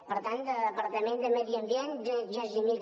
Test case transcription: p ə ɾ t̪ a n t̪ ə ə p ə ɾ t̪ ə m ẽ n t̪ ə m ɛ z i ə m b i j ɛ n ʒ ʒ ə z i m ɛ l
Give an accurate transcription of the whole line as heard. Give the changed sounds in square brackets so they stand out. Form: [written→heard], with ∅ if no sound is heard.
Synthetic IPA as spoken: p ə ɾ t̪ a n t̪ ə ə p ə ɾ t̪ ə m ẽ n [t̪→d̪] ə m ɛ [z→ð] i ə m b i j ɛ n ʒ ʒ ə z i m [ɛ→i] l